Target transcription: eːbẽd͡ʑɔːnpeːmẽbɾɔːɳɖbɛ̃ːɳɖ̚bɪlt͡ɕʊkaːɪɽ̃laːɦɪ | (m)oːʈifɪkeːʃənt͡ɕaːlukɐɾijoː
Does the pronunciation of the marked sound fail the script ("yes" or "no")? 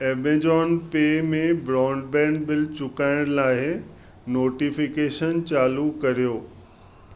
yes